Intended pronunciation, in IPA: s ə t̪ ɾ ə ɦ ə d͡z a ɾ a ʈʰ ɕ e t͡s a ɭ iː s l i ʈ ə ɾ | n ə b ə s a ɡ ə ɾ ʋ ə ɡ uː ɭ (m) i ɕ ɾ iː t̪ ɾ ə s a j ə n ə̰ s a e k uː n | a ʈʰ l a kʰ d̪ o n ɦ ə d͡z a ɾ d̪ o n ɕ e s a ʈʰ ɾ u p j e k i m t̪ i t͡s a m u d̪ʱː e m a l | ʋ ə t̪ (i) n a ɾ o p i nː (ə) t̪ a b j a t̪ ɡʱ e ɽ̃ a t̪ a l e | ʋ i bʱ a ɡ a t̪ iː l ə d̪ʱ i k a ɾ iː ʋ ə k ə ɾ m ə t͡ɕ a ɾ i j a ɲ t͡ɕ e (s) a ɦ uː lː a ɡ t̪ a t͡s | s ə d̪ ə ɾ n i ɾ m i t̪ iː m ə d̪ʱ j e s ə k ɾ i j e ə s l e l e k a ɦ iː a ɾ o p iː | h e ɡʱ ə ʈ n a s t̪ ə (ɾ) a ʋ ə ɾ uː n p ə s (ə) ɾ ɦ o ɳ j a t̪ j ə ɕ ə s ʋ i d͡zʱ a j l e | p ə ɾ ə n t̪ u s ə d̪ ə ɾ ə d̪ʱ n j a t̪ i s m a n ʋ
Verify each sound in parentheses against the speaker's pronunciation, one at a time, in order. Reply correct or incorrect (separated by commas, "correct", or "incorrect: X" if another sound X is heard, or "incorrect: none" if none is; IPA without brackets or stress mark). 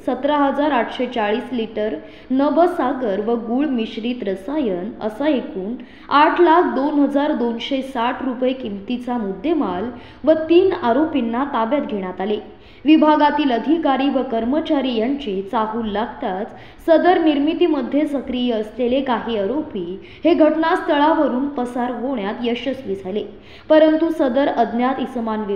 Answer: correct, incorrect: iː, incorrect: a, incorrect: t͡s, incorrect: ɭ, incorrect: a